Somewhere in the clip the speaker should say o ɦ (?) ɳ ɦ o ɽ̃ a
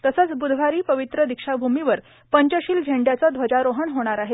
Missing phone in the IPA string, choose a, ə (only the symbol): ə